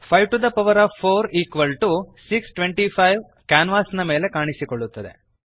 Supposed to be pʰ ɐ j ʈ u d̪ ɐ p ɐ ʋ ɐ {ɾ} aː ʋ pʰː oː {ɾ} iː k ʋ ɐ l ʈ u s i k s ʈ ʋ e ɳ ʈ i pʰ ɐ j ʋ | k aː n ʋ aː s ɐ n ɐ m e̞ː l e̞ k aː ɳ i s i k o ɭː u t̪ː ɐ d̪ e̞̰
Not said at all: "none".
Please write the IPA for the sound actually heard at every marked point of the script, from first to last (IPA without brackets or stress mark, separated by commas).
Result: ɾ, ɾ